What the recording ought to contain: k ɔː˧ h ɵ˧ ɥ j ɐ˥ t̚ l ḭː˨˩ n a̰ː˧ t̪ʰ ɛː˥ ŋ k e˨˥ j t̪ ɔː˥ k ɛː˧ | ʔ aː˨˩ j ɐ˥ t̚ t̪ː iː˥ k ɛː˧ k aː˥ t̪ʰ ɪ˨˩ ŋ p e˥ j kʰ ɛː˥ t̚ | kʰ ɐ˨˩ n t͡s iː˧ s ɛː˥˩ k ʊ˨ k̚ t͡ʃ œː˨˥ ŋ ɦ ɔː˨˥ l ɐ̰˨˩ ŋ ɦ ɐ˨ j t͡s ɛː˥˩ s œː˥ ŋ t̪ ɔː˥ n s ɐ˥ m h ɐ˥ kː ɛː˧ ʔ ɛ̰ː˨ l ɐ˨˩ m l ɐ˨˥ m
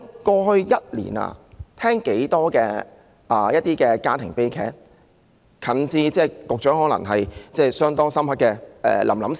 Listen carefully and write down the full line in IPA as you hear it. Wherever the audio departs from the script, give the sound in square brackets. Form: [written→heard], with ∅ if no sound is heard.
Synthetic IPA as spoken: k ɔː˧ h ɵ˧ ɥ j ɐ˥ t̚ l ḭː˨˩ n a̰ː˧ t̪ʰ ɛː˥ ŋ k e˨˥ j t̪ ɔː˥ k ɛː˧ | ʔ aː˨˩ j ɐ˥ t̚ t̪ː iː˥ k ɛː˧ k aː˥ t̪ʰ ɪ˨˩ ŋ p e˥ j kʰ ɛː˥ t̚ | kʰ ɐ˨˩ n t͡s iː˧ [s→t͡s] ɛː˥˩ k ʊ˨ k̚ t͡ʃ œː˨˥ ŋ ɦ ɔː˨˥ l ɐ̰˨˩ ŋ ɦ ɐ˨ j t͡s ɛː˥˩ s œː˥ ŋ t̪ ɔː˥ [n→ŋ] s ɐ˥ m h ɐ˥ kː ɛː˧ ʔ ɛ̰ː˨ l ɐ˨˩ m l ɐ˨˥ m